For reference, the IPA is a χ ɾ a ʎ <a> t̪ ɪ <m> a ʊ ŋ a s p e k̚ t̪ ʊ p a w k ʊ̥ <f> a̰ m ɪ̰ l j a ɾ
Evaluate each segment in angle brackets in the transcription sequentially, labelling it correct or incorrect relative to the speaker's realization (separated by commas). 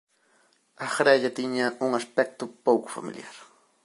correct, incorrect, correct